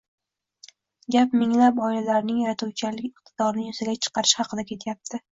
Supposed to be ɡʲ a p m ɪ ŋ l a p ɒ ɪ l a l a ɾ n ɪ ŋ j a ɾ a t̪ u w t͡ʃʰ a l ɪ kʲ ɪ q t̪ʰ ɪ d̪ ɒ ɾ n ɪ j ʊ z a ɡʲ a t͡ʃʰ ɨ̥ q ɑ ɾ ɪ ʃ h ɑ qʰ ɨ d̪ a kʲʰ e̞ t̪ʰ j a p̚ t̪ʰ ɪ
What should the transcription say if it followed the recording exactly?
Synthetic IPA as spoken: ɡʲ a p m ɪ ŋ l a p ɒ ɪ l a l a ɾ n ɪ ŋ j a ɾ a t̪ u w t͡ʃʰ a l ɪ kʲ ɪ q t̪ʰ ɪ d̪ ɒ ɾ n ɪ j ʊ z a ɡʲ a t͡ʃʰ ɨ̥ q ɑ ɾ ɪ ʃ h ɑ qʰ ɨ d̪ a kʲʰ e̞ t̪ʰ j a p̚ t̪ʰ ɪ